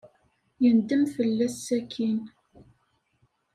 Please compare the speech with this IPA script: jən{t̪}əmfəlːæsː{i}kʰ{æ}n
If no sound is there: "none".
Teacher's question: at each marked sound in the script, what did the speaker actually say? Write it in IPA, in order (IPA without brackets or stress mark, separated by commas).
d̪, æ, i